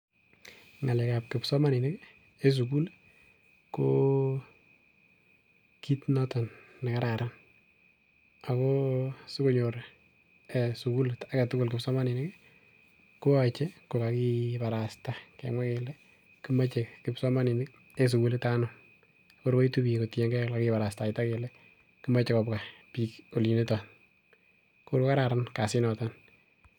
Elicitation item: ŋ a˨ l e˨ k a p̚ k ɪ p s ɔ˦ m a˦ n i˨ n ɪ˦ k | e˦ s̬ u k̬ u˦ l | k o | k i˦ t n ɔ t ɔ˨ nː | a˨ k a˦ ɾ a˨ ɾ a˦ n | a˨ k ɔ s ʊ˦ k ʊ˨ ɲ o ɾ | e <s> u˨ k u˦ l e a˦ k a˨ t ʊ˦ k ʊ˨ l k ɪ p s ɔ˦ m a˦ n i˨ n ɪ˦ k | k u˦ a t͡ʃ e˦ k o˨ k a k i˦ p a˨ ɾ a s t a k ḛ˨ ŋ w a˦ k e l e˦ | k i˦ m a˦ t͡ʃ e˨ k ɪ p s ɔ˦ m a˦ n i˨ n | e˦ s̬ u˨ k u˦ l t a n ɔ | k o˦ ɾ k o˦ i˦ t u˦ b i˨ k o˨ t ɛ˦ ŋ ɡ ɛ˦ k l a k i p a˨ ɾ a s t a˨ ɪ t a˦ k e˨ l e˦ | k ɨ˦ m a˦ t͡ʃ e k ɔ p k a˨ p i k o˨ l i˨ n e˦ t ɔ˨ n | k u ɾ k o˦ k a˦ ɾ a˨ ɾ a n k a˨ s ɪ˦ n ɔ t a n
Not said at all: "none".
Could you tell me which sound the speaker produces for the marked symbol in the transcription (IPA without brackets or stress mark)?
s